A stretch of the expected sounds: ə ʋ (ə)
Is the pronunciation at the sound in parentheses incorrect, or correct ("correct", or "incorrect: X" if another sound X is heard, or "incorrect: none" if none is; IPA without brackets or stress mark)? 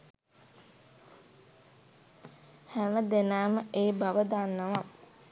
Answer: incorrect: a